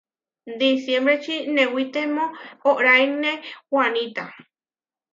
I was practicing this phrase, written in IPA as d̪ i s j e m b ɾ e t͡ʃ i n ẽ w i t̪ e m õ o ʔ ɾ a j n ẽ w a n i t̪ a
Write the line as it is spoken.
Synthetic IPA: d̪ i s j e m b ɾ e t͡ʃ i n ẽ w i t̪ e m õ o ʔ ɾ a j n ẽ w a n i t̪ a